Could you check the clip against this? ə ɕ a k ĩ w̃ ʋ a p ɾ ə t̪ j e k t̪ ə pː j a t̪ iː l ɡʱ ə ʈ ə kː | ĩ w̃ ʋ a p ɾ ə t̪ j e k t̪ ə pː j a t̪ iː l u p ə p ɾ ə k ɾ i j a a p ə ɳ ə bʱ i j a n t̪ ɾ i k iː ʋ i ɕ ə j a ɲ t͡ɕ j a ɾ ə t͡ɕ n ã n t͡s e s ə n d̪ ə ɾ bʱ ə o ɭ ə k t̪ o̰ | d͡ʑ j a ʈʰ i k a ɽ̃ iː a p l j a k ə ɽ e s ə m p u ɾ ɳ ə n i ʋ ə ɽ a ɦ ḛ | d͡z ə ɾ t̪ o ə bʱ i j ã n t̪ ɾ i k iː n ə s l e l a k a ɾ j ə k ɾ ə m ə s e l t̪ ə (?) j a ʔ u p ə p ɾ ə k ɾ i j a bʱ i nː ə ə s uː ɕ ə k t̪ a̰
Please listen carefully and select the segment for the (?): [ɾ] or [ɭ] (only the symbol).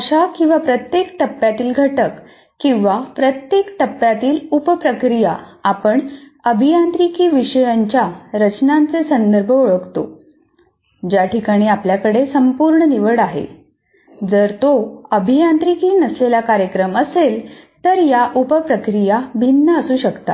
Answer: ɾ